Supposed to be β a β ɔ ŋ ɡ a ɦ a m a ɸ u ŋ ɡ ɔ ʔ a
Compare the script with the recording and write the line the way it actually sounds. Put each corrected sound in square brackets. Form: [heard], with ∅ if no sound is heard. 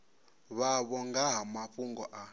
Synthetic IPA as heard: β a β ɔ ŋ ɡ a ɦ a m a ɸ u ŋ ɡ ɔ ʔ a